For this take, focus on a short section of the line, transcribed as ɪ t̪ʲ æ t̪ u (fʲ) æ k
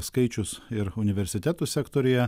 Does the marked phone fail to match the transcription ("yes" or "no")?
yes